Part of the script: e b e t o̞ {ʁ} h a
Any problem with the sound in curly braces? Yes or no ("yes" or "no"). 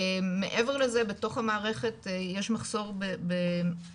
yes